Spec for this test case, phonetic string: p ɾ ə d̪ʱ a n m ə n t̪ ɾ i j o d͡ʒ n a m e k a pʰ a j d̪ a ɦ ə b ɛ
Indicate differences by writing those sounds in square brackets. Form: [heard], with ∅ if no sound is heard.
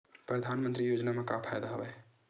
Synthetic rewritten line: p ɾ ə d̪ʱ a n m ə n t̪ ɾ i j o d͡ʒ n a m e k a pʰ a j d̪ a ɦ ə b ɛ